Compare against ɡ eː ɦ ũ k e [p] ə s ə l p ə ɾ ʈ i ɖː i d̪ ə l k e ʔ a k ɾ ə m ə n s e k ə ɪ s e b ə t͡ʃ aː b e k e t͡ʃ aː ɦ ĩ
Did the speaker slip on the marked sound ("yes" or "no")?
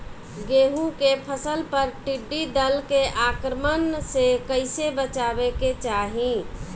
yes